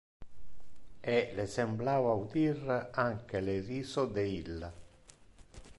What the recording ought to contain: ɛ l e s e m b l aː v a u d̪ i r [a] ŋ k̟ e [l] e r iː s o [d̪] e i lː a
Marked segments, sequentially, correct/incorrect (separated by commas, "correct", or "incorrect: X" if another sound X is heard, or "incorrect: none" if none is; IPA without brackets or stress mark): correct, correct, correct